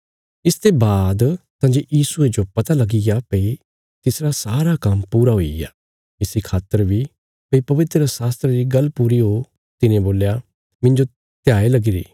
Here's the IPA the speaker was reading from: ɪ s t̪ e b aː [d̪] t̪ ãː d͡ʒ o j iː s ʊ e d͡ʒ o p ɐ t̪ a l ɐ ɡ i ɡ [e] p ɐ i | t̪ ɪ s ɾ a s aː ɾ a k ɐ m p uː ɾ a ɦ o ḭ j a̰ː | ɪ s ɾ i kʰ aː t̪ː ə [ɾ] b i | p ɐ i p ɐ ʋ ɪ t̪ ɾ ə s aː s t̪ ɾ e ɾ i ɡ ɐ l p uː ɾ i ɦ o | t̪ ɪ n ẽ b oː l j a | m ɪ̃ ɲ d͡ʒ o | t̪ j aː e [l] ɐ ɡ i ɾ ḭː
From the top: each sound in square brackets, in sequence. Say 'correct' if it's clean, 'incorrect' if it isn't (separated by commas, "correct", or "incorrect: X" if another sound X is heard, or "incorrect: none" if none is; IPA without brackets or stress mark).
correct, incorrect: a, correct, correct